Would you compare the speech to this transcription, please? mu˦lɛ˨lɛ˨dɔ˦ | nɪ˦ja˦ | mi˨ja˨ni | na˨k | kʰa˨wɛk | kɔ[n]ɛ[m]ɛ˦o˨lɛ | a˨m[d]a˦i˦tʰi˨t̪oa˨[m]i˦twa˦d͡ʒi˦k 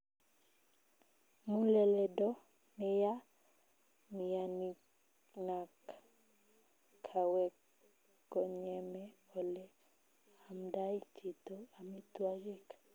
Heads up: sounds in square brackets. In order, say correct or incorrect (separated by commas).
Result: incorrect, correct, correct, correct